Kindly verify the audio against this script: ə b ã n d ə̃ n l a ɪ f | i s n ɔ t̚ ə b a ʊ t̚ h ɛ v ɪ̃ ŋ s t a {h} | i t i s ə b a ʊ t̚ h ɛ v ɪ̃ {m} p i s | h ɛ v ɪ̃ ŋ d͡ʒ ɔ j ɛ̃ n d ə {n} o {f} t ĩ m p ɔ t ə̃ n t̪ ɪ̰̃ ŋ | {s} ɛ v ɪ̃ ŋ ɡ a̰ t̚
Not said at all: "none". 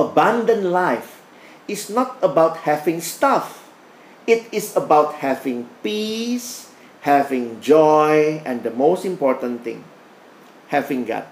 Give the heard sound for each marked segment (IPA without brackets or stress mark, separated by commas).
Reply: f, ŋ, m, s, h